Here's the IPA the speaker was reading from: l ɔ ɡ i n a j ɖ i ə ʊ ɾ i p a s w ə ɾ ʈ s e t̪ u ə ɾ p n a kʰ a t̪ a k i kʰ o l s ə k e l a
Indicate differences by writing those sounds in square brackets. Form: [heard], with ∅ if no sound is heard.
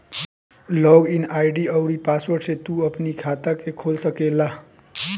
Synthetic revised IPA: l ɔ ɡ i n a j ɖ i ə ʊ ɾ i p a s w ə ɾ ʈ s e t̪ u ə [∅] p n [i] kʰ a t̪ a k [e] kʰ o l s ə k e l a